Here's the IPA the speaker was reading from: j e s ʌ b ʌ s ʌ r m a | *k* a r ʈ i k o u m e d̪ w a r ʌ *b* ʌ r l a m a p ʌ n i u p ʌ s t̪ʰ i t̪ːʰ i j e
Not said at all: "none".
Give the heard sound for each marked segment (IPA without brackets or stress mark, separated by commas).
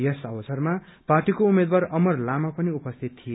p, m